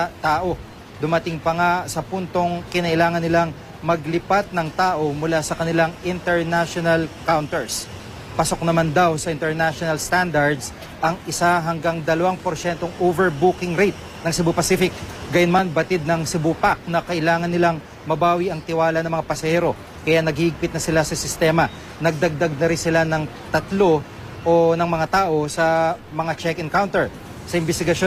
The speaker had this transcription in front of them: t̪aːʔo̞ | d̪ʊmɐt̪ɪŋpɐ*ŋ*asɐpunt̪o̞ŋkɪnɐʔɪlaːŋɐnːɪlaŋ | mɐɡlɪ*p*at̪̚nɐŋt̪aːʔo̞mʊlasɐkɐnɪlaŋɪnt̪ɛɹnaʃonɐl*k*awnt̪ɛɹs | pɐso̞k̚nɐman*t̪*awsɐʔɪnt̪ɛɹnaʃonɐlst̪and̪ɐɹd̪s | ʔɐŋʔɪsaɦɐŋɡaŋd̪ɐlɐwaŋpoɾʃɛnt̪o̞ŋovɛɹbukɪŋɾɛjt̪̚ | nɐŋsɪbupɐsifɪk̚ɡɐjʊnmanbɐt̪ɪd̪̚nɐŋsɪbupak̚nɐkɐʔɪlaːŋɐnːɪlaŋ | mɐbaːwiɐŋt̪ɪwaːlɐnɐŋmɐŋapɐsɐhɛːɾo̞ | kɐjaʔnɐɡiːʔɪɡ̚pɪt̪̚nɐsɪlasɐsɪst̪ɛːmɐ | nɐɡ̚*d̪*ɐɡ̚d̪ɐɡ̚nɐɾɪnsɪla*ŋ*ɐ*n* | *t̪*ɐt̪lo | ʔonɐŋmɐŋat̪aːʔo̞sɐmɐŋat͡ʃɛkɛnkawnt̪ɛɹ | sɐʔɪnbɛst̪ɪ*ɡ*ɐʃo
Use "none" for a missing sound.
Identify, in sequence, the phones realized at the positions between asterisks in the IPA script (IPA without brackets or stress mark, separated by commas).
ŋ, p, k, d̪, d̪, n, ŋ, t̪, ɡ